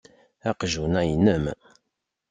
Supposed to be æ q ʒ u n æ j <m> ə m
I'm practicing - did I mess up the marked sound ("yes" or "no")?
yes